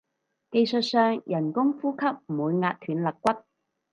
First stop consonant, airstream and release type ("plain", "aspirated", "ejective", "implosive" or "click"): plain